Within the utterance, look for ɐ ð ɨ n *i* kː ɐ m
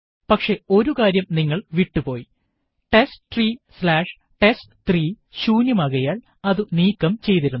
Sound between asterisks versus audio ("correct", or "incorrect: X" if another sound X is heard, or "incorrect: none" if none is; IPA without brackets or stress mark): incorrect: iː